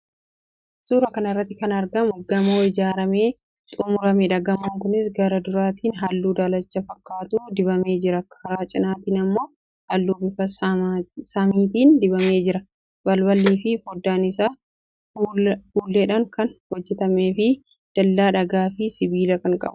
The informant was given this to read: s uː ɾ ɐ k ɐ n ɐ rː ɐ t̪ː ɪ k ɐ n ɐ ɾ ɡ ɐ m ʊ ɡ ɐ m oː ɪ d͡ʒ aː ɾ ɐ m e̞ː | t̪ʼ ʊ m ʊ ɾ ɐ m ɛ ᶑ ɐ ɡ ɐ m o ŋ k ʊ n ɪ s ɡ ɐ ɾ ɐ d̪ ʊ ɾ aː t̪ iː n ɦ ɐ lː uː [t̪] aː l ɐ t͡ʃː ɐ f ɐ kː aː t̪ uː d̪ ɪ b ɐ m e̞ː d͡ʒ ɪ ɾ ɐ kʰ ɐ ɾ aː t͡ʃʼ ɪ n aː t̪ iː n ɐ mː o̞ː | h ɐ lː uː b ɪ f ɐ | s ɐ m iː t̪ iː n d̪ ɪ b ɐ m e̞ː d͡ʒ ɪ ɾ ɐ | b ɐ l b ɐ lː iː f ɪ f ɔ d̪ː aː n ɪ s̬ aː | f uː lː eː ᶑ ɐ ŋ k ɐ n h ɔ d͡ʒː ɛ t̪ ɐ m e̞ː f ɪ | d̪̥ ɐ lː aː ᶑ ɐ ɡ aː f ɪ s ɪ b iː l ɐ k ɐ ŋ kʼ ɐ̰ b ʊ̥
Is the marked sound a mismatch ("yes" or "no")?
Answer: yes